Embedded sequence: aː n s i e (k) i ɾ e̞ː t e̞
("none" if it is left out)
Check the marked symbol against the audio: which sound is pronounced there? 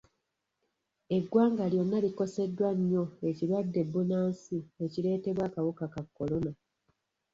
c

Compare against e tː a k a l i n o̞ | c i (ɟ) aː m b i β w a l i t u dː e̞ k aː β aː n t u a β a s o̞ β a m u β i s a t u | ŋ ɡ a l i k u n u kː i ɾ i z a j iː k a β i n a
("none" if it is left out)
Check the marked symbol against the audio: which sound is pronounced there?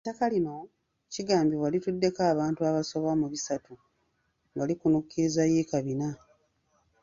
ɡ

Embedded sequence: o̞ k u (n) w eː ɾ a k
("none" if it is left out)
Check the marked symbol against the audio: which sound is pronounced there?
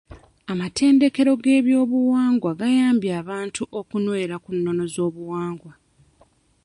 n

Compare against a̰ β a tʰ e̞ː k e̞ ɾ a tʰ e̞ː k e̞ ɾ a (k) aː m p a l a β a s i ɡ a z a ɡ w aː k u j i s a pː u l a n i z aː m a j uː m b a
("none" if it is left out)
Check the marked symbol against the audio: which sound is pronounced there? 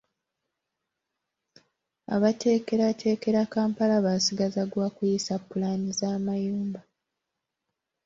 k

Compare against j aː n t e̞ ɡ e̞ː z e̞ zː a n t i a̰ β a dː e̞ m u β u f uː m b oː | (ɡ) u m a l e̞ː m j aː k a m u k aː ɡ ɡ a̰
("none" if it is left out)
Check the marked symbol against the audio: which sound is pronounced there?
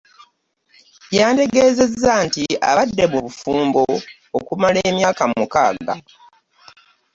k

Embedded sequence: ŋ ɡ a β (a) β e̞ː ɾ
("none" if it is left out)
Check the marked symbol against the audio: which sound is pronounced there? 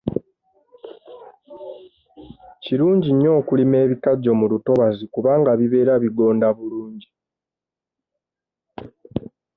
i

